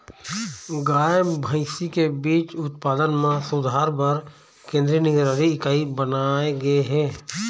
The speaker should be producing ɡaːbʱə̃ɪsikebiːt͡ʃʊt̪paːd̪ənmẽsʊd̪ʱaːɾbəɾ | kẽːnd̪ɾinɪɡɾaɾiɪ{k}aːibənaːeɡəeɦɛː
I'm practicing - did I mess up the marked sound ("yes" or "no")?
no